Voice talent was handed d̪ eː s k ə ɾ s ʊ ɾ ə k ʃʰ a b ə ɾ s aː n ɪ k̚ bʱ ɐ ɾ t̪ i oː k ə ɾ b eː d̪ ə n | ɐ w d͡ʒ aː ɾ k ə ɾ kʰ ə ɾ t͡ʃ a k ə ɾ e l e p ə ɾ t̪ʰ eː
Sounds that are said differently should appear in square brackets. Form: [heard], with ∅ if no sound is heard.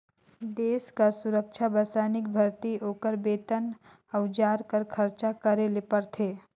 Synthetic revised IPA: d̪ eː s k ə ɾ s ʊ ɾ ə k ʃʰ a b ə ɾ s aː n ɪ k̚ bʱ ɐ ɾ t̪ i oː k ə ɾ b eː [t̪] ə n | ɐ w d͡ʒ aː ɾ k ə ɾ kʰ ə ɾ t͡ʃ a k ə ɾ e l e p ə ɾ t̪ʰ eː